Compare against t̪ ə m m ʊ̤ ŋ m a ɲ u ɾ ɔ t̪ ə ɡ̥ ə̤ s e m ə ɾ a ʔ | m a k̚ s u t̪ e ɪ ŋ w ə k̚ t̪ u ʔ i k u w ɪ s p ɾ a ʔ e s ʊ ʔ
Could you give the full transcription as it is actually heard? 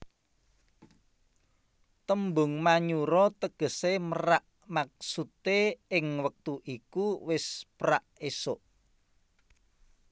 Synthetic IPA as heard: t̪ ə m b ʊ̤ ŋ m a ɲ u ɾ ɔ t̪ ə ɡ̥ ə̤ s e m ə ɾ a ʔ | m a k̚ s u t̪ e ɪ ŋ w ə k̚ t̪ u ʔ i k u w ɪ s p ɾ a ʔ e s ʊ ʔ